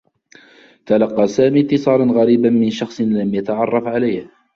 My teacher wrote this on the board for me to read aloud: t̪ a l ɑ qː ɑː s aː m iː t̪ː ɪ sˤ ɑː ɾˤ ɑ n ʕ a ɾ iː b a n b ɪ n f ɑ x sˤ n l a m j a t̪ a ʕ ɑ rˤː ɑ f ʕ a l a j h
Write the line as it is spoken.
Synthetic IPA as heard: t̪ a l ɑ qː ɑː s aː m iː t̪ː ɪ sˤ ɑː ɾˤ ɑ n ɣ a ɾ iː b a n m ɪ n ʃ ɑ x sˤ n l a m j a t̪ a ʕ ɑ rˤː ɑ f ʕ a l a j h

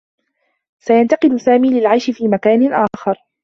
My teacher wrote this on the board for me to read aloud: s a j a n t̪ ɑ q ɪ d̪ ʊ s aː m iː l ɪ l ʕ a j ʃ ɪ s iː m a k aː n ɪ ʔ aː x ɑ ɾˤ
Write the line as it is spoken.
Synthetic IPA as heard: s a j a n t̪ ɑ q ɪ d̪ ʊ s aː m iː l ɪ l ʕ a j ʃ ɪ f iː m a k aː n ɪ ʔ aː x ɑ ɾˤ

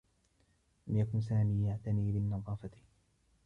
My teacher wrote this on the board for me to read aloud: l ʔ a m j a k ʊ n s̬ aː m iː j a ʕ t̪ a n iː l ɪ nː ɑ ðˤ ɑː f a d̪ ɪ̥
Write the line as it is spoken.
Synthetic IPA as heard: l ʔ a m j a k ʊ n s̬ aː m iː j a ʕ t̪ a n iː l ɪ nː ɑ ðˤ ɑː f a t̪ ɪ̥

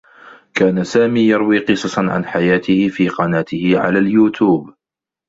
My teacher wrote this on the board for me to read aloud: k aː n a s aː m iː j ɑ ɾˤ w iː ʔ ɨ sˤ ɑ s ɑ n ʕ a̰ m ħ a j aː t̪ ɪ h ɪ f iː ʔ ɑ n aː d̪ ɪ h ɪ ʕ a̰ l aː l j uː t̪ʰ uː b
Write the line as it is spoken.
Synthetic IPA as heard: k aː n a s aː m iː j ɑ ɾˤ w iː q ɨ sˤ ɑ s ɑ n ʕ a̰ n ħ a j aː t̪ ɪ h ɪ f iː q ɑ n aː t̪ ɪ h ɪ ʕ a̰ l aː l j uː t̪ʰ uː b

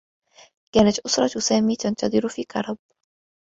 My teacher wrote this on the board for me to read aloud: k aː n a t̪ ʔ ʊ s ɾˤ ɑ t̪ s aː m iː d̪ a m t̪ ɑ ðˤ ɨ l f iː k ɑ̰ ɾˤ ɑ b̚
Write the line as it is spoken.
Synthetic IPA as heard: k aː n a t̪ ʔ ʊ s ɾˤ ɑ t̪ s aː m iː t̪ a n t̪ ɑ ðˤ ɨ ɾ f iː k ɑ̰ ɾˤ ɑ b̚

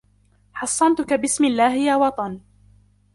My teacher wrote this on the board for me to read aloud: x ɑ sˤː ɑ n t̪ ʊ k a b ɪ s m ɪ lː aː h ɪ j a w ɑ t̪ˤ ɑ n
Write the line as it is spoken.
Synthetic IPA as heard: ħ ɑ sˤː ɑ n t̪ ʊ k a b ɪ s m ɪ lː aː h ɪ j a w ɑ t̪ˤ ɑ n

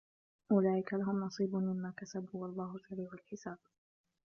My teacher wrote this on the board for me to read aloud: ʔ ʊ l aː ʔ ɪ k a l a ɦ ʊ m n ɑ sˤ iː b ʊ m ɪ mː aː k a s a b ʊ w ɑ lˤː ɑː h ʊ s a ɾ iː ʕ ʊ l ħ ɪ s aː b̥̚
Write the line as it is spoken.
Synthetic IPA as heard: ʔ ʊ l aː ʔ ɪ k a l a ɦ ʊ m n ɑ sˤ iː b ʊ m ɪ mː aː k a s a b u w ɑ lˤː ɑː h ʊ s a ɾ iː ʕ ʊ l ħ ɪ s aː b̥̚

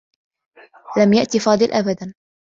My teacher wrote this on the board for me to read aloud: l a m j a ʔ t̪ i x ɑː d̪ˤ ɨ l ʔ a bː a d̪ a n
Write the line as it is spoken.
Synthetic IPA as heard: l a m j a ʔ t̪ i f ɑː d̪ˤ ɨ l ʔ a b a d̪ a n

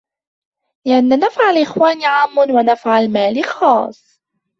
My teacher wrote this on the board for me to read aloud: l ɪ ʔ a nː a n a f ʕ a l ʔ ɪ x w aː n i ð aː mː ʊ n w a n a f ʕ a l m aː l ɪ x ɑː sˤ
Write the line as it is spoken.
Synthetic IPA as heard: l ɪ ʔ a nː a n a f ʕ a l ʔ ɪ x w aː n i ʕ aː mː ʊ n w a n a f ʕ a l m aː l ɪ x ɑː sˤ

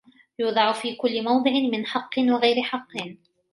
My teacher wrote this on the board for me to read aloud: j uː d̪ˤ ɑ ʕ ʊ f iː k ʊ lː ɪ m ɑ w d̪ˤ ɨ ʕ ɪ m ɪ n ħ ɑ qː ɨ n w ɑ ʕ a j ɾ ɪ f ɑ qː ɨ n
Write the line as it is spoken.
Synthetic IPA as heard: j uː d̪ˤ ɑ ʕ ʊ f iː k ʊ lː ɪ m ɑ w d̪ˤ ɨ ʕ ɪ m ɪ n ħ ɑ qː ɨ n w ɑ ɣ a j ɾ ɪ ħ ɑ qː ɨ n

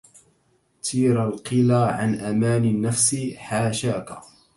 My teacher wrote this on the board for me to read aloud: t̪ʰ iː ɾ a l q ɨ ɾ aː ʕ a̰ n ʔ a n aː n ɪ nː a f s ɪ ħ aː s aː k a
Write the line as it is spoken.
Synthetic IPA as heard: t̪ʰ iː ɾ a l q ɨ l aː ʕ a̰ n ʔ a m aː n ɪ nː a f s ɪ ħ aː ʃ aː k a

